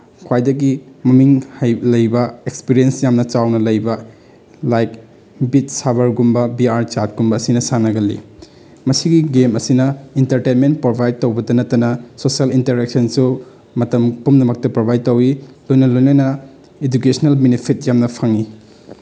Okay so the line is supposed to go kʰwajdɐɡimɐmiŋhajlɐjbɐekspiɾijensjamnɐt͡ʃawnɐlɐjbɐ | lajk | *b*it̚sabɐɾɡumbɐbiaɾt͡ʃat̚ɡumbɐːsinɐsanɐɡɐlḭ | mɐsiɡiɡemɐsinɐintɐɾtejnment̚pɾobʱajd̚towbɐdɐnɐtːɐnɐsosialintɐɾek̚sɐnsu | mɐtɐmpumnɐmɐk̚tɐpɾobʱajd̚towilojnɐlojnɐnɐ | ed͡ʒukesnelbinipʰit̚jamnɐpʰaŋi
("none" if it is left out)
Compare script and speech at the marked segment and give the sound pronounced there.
b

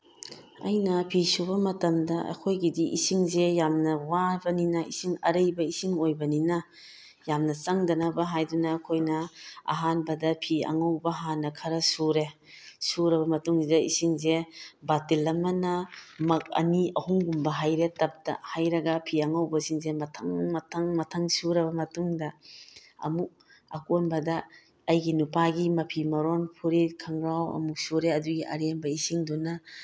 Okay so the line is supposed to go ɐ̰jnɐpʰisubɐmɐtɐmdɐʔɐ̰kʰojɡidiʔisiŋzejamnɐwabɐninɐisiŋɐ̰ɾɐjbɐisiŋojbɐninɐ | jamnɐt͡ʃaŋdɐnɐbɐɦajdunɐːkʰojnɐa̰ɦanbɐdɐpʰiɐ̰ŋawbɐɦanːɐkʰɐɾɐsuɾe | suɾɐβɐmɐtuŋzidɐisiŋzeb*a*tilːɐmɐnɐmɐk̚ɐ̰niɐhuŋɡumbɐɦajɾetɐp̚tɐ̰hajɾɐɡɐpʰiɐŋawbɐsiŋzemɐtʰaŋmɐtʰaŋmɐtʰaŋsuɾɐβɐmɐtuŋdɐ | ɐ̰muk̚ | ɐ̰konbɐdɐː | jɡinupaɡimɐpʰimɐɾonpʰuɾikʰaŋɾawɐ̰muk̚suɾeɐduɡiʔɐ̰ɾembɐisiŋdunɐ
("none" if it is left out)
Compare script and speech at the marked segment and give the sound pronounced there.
a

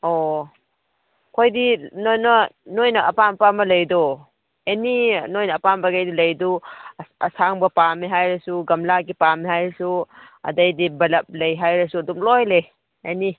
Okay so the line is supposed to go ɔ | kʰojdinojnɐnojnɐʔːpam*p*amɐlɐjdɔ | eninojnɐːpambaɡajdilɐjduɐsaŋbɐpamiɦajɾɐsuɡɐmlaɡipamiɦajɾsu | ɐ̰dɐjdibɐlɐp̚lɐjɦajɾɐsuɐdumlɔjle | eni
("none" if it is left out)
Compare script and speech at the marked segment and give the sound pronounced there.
p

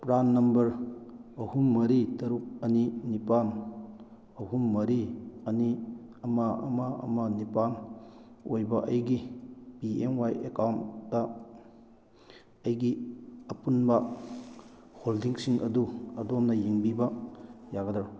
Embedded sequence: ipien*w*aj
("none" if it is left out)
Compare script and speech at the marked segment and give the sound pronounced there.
w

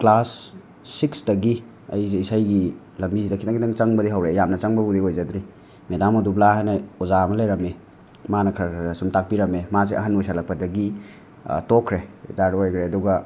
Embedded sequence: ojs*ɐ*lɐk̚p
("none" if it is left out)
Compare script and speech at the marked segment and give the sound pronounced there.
a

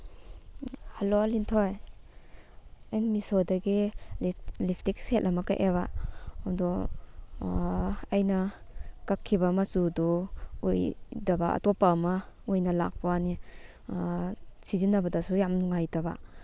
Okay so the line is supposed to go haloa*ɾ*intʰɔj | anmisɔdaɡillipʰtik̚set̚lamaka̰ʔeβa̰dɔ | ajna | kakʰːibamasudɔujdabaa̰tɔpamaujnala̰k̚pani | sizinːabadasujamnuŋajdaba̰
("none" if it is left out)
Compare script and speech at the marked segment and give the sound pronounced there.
l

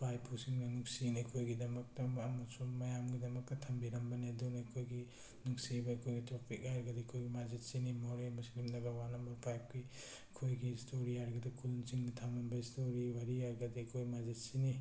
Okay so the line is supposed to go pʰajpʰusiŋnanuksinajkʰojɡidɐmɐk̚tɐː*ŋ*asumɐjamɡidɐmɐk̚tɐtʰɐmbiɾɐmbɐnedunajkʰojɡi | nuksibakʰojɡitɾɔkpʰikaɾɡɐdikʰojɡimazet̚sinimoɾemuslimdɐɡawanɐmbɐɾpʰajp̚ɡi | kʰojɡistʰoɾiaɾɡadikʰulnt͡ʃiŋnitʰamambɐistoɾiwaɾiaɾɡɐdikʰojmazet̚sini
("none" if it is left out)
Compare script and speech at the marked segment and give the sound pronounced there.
m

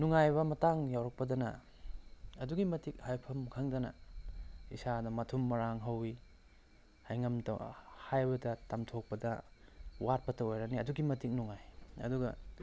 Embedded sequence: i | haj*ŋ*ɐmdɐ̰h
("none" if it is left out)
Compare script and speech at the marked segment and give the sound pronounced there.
ŋ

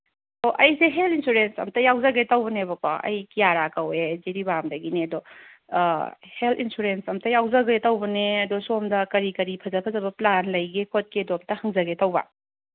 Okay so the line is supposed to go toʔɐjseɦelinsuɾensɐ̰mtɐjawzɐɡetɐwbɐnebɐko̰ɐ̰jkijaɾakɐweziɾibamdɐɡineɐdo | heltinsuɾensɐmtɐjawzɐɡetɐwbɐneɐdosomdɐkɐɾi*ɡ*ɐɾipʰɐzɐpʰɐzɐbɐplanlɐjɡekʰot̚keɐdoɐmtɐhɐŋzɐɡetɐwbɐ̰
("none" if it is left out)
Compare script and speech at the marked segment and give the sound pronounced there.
k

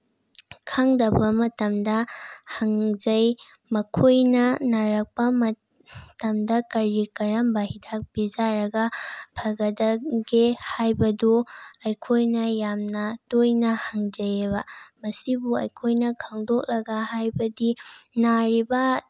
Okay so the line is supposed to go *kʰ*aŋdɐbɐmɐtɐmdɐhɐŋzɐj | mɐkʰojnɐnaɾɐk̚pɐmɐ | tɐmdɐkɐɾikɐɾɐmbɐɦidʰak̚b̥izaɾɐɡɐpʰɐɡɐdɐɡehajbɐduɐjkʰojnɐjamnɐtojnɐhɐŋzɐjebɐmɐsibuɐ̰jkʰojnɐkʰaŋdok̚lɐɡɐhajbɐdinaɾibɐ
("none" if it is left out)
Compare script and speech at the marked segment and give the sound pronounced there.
kʰ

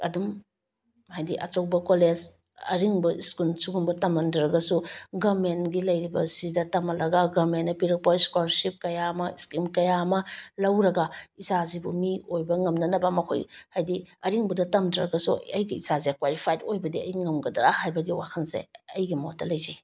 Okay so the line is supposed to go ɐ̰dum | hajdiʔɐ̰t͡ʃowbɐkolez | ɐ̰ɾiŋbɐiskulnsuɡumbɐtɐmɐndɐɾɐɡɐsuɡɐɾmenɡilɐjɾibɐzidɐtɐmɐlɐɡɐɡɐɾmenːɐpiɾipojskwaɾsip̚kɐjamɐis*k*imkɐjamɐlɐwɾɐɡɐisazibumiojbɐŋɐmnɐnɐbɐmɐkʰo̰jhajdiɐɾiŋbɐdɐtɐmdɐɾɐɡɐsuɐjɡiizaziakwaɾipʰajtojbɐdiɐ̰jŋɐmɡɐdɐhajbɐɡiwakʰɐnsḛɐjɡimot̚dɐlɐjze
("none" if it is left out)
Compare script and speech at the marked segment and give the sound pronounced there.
k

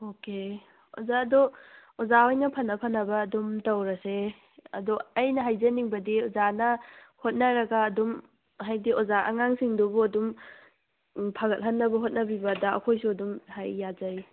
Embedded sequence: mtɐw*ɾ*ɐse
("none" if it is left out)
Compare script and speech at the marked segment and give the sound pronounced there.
ɾ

